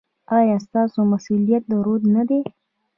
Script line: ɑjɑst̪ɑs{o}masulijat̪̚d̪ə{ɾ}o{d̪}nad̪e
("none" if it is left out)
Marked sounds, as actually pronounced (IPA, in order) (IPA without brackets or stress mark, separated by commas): o, ɾ, d̪